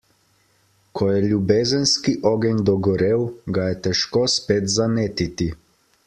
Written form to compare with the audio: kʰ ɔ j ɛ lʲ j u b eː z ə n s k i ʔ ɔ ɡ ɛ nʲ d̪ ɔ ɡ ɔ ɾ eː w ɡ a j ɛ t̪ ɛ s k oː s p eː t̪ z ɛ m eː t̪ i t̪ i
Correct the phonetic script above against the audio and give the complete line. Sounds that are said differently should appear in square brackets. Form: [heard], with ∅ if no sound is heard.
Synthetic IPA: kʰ ɔ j ɛ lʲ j u b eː z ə n s k i ʔ ɔ ɡ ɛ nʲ d̪ ɔ ɡ ɔ ɾ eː w ɡ a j ɛ t̪ ɛ [ʃ] k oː s p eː t̪ z [a] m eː t̪ i t̪ i